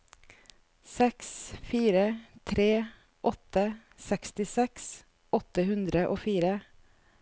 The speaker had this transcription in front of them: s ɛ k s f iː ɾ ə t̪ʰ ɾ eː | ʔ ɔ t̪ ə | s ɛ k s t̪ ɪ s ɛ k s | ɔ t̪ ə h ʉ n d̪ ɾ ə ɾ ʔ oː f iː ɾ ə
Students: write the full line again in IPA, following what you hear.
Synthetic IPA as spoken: s ɛ k s f iː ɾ ə t̪ʰ ɾ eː | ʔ ɔ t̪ ə | s ɛ k s t̪ ɪ s ɛ k s | ɔ t̪ ə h ʉ n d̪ ɾ ə ʔ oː f iː ɾ ə